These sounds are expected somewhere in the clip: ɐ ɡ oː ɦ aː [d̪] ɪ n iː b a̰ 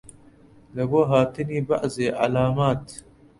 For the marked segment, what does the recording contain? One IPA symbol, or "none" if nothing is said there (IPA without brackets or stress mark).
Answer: t̪